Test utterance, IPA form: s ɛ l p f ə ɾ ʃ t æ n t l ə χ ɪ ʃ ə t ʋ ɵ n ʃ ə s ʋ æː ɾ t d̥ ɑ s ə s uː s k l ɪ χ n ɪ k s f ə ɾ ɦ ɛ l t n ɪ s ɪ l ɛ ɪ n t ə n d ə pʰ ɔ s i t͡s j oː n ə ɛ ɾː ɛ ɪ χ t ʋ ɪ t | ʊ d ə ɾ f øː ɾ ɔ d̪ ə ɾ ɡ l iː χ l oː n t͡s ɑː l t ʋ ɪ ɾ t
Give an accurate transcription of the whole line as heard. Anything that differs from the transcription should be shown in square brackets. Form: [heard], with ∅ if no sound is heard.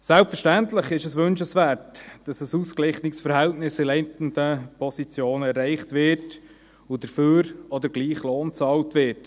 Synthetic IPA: s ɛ l p f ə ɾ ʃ t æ n t l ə χ ɪ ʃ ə [s] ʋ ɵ n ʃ ə s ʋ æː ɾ t d̥ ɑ s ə s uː s k l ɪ χ n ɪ k s f ə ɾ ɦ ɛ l t n ɪ s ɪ l ɛ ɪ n t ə n d ə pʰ ɔ s i t͡s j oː n ə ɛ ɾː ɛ ɪ χ t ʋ ɪ t | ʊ d ə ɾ f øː ɾ ɔ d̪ ə ɾ ɡ l iː χ l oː n t͡s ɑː l t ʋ ɪ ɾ t

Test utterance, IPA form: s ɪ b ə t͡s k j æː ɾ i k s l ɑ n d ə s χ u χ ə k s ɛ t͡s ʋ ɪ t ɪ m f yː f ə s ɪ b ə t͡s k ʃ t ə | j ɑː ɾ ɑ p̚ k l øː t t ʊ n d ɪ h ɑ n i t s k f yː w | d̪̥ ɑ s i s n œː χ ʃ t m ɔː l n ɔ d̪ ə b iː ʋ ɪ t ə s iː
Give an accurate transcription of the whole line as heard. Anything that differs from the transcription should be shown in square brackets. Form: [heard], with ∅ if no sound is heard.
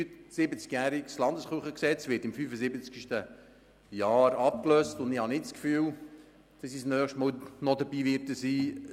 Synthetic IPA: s ɪ b ə t͡s k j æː ɾ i k s l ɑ n d ə s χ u χ ə k s ɛ t͡s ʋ ɪ t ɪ m f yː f ə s ɪ b ə t͡s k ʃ t ə | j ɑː ɾ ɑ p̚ k l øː [s] t ʊ n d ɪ h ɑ n [ɪ] t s k f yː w | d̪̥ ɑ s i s n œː χ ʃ t m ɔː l n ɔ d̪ ə b iː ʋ ɪ t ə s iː

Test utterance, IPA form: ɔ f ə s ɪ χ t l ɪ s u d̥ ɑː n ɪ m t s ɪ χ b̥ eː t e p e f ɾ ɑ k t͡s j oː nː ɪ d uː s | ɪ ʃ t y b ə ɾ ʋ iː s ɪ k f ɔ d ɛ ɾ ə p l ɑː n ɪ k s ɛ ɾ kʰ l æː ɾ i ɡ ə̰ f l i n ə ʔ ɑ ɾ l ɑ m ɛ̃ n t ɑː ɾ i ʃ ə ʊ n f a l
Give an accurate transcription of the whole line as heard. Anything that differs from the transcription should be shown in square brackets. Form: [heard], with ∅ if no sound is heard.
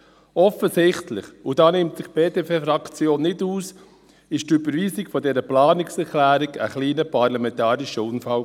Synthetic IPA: ɔ f ə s ɪ χ t l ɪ [χ] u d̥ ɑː n ɪ m t s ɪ χ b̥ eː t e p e f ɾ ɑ k t͡s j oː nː ɪ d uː s | ɪ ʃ t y b ə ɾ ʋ iː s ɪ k f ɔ d ɛ ɾ ə p l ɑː n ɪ k s ɛ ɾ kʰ l æː ɾ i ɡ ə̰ [χ] l [iː] n ə [p] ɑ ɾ l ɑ m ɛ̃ n t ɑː ɾ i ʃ ə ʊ n f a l

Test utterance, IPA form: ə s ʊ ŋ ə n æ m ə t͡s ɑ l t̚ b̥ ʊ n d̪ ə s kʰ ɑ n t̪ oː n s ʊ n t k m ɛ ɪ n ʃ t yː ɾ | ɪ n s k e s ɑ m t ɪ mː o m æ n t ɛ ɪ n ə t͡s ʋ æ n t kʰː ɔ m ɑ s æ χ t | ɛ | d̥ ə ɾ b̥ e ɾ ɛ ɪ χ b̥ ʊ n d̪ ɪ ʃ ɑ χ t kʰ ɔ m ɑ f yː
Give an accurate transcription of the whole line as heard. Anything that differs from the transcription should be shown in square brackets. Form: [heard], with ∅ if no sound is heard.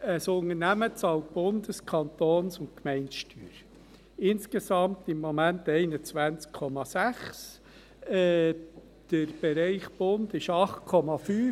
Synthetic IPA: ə s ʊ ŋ ə n æ m ə t͡s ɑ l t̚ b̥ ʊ n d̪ ə s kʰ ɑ n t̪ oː n s ʊ n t k m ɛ ɪ n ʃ t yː ɾ | ɪ n s k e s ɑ m t ɪ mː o m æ n t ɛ ɪ n ə t͡s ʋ æ n [t͡s] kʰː ɔ m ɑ s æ χ [s] | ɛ | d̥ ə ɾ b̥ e ɾ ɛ ɪ χ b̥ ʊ n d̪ ɪ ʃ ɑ χ t kʰ ɔ m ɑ f yː

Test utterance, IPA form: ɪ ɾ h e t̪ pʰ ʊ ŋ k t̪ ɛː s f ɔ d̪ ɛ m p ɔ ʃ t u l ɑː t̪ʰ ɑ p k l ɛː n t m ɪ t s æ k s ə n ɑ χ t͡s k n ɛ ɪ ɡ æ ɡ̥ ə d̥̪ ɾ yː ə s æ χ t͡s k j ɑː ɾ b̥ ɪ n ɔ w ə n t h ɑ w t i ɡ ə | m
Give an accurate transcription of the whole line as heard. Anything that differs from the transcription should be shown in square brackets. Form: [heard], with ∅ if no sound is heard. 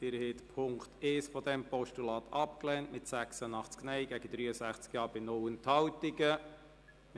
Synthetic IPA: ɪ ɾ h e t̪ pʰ ʊ ŋ k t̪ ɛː s f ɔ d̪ ɛ m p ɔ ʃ t u l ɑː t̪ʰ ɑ p k l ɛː n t m ɪ t s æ k s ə n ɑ χ t͡s k n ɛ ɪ ɡ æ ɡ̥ ə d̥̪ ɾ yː ə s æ χ t͡s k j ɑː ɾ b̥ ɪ n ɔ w ə n t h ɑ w t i ɡ ə | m

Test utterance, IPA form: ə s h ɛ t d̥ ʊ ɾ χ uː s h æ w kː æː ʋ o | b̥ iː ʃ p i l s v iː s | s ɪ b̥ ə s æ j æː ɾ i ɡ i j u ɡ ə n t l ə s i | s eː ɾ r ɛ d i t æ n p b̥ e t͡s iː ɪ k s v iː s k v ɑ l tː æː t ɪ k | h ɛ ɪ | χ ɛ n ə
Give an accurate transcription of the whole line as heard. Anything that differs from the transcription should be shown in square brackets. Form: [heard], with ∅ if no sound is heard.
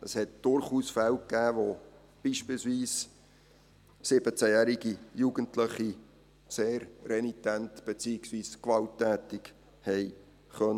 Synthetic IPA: ə s h ɛ t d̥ ʊ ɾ χ uː s [f] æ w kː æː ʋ o | b̥ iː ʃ p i l s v iː s | s ɪ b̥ ə [t͡s] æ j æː ɾ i ɡ i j u ɡ ə n t l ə [χ] i | s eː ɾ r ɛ [n] i t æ n [t] b̥ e t͡s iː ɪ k s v iː s k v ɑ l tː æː t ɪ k | h ɛ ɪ | χ [œ] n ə

